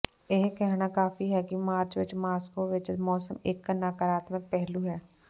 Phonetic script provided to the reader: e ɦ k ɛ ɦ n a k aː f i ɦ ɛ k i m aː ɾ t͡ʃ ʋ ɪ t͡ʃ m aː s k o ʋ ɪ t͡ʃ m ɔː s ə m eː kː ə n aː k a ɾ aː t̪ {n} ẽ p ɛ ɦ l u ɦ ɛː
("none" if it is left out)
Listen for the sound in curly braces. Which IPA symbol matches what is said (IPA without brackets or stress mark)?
m